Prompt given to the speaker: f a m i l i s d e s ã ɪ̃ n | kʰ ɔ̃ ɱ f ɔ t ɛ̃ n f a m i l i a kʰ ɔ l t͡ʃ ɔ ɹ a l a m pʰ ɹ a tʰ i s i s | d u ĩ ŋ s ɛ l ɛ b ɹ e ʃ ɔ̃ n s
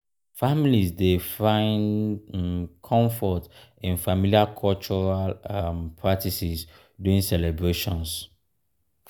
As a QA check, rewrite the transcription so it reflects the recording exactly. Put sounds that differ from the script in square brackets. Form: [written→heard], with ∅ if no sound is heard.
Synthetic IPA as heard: f a m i l i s d e [s→f] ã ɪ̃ n | kʰ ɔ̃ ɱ f ɔ t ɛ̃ n f a m i l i a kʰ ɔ l t͡ʃ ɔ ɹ a l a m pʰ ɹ a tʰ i s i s | d u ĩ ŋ s ɛ l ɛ b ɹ e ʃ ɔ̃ n s